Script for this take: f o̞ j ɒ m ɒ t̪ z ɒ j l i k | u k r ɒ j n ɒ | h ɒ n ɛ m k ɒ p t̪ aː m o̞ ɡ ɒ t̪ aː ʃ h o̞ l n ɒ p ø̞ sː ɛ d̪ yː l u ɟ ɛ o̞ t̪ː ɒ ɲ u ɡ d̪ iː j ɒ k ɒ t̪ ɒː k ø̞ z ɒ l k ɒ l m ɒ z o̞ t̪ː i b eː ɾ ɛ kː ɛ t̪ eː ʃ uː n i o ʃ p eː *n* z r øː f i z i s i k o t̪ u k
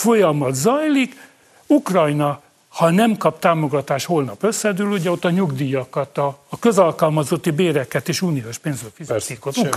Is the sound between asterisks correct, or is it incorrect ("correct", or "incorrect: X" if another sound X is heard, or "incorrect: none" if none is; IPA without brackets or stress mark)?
correct